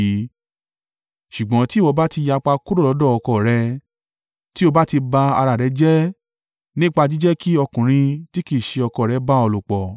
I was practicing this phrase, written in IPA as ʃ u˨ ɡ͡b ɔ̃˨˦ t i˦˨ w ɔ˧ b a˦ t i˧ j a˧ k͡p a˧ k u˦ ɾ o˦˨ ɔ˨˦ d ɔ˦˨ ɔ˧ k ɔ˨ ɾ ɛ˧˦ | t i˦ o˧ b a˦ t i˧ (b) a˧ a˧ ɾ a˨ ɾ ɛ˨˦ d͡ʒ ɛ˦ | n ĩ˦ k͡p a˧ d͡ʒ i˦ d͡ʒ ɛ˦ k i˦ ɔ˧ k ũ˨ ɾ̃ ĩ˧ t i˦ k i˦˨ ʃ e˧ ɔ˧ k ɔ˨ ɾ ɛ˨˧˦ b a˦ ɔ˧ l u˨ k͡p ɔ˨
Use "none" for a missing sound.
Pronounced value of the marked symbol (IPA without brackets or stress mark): b